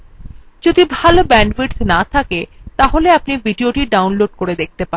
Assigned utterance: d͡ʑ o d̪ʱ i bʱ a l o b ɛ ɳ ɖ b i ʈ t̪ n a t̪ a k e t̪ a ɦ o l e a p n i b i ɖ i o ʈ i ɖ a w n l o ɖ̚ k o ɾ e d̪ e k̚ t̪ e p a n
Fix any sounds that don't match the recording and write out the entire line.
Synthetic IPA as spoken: d͡ʑ o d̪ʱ i bʱ a l o b ɛ ɳ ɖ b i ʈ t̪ n a t̪ʰ a k e t̪ a ɦ o l e a p n i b i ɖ i o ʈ i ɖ a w n l o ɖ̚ k o ɾ e d̪ e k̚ t̪ e p a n